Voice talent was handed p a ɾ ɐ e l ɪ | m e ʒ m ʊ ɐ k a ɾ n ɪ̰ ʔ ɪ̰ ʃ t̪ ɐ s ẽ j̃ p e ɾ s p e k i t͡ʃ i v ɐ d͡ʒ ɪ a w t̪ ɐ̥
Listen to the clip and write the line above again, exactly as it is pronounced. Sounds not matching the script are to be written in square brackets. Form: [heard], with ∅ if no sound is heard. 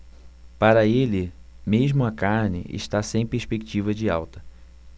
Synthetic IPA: p a ɾ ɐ e l ɪ | m e ʒ m ʊ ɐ k a ɾ n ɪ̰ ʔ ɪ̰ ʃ t̪ [a] s ẽ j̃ p e ɾ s p e k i t͡ʃ i v ɐ d͡ʒ ɪ a w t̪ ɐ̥